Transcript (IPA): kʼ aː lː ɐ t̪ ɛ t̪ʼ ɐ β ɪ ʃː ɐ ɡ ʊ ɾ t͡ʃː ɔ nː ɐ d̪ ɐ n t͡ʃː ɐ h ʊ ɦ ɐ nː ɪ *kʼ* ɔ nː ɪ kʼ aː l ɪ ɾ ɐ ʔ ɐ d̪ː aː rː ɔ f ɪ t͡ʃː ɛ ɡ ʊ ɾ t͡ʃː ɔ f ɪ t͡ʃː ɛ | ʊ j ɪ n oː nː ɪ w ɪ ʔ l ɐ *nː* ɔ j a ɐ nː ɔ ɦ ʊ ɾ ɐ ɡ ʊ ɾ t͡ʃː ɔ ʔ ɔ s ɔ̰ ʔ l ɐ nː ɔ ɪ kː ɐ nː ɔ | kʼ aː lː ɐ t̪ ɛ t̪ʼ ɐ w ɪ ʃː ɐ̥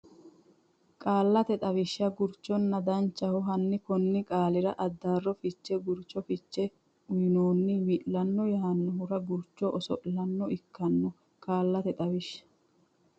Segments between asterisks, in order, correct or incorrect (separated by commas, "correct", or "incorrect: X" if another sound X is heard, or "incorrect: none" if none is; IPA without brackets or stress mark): incorrect: k, correct